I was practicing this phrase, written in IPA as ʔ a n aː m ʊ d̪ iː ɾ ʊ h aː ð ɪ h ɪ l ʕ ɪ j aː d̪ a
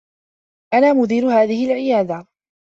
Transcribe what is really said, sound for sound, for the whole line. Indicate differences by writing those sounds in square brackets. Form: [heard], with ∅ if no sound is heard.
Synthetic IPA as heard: ʔ a n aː m ʊ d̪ iː ɾ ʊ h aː ð ɪ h ɪ l ʕ ɪ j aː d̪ a